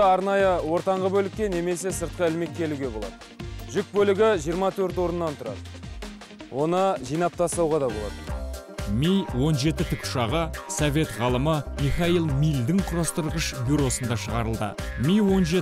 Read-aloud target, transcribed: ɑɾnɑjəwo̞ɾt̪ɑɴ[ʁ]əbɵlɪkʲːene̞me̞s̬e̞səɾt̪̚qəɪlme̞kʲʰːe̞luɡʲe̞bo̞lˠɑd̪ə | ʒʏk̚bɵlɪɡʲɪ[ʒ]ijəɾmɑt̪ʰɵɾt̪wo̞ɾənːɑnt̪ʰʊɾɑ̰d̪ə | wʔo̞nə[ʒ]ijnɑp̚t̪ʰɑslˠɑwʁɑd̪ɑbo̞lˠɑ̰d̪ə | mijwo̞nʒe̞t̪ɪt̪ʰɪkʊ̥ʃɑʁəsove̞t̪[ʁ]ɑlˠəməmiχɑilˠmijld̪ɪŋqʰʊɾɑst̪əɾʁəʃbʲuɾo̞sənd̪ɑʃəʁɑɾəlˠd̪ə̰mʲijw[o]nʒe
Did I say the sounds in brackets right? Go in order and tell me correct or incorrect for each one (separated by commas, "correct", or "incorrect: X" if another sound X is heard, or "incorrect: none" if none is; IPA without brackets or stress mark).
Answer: correct, correct, correct, correct, correct